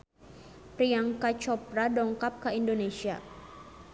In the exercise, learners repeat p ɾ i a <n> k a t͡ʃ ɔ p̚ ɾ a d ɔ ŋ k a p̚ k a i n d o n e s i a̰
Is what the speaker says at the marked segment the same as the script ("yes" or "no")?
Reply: no